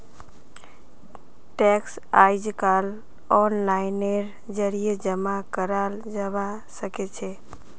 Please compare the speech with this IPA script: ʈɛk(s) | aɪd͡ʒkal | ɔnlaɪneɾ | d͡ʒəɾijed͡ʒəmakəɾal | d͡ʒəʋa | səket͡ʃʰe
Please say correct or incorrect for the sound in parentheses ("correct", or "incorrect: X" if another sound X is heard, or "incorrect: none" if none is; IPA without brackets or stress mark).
correct